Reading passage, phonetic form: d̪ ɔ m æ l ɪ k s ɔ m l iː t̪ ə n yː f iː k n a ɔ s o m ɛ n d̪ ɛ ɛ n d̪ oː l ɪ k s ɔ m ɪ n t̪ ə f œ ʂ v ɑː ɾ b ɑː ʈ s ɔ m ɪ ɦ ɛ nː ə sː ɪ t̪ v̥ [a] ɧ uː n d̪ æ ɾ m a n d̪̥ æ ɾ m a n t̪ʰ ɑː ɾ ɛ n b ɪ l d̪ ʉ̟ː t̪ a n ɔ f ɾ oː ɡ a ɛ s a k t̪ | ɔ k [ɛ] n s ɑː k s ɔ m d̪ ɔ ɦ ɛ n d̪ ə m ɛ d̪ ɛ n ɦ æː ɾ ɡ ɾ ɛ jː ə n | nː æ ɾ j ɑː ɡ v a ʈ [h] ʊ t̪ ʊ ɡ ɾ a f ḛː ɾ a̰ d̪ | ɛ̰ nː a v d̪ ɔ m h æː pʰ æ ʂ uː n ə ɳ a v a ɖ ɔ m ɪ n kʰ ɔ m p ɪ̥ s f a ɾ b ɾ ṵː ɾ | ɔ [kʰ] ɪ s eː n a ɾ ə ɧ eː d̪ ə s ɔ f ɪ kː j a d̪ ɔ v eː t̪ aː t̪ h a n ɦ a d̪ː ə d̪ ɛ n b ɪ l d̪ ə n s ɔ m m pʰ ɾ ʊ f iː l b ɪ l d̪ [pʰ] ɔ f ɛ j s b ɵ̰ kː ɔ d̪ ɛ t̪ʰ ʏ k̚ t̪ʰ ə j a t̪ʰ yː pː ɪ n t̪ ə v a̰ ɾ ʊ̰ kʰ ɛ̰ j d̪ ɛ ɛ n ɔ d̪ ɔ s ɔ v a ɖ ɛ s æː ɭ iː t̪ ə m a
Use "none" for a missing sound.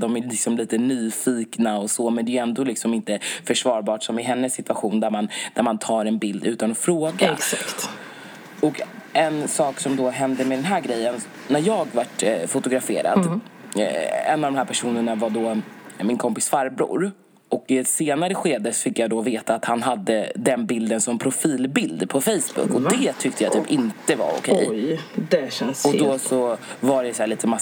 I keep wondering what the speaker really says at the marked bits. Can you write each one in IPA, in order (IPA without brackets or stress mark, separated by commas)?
a, ɛ, f, k, pʰ